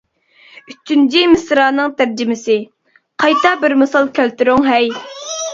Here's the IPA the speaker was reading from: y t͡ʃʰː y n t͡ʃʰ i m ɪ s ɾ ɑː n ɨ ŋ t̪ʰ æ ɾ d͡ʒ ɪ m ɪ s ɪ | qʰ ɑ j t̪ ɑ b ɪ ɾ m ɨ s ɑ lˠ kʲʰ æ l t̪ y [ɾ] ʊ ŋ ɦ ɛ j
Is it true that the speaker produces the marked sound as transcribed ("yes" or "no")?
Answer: yes